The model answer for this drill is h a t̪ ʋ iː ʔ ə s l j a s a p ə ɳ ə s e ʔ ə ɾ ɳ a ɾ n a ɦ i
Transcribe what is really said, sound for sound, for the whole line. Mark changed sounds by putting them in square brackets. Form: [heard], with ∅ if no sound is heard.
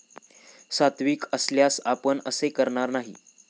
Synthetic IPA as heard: [s] a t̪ ʋ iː [k] ə s l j a s a p ə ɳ ə s e [k] ə ɾ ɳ a ɾ n a ɦ i